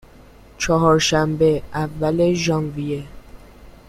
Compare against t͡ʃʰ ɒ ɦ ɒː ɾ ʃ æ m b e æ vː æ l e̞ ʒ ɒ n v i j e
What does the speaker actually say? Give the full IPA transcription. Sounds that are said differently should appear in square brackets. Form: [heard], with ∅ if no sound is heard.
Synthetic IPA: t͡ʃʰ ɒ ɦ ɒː ɾ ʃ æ m b e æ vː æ l e̞ ʒ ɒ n v i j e